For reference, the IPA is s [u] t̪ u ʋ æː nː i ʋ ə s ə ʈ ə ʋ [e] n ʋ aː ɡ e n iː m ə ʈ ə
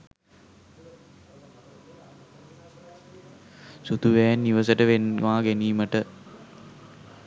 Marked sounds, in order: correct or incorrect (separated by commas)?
correct, correct